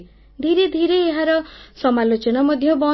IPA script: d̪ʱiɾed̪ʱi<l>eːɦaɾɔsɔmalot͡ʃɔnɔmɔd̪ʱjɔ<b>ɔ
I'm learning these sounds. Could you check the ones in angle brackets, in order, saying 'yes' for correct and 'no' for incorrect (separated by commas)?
no, yes